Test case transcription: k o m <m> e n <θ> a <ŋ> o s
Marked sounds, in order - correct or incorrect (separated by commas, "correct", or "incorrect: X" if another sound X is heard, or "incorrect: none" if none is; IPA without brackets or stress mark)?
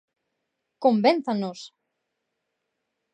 incorrect: b, correct, incorrect: n